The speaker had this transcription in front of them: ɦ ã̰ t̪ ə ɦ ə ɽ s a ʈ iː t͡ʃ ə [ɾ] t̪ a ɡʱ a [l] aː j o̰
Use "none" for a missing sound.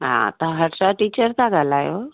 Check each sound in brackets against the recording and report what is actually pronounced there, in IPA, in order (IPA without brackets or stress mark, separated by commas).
ɾ, l